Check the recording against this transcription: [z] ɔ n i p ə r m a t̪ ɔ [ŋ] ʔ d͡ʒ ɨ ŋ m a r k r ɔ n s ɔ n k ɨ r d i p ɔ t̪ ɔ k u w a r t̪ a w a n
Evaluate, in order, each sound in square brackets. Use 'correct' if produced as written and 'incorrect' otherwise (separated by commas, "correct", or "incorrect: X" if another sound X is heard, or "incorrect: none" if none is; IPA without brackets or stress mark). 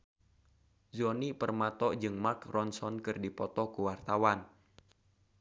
correct, incorrect: none